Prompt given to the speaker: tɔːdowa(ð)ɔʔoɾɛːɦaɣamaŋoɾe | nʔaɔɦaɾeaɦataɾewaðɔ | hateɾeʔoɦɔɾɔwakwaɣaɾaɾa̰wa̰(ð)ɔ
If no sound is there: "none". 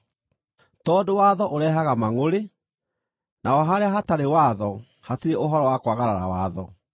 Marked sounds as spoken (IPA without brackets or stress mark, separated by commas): ð, ð